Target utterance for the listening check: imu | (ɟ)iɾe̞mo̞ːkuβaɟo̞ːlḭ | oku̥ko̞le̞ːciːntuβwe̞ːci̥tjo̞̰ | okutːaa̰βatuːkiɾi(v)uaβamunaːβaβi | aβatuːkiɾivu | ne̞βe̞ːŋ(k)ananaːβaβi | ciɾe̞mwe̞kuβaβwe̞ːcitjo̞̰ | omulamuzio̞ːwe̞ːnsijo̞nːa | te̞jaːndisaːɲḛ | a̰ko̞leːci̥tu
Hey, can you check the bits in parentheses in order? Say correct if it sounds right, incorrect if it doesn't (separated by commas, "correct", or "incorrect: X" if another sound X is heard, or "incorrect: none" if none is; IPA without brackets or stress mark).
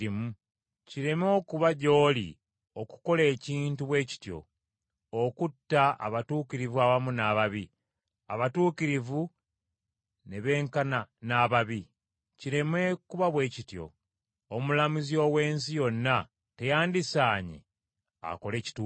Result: incorrect: c, correct, correct